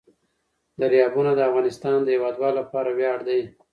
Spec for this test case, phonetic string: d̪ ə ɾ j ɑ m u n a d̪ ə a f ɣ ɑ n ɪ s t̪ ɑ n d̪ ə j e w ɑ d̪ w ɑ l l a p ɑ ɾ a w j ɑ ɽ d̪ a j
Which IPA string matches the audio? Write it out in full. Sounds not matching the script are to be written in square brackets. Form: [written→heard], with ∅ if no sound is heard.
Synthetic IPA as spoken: d̪ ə ɾ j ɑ [m→b] u n a d̪ ə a f ɣ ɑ n ɪ s t̪ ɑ n d̪ ə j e w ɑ d̪ w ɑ l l a p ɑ ɾ a w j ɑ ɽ d̪ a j